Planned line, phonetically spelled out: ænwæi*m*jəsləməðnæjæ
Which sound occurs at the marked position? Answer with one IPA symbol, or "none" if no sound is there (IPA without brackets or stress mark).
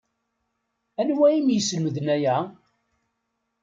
m